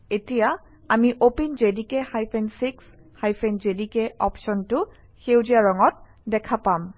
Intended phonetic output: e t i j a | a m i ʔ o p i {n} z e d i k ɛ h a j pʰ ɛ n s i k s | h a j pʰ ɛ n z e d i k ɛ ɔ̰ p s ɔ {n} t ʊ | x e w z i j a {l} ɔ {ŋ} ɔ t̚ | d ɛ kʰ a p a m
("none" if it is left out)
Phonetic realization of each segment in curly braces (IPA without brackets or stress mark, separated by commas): n, n, ɹ, ŋ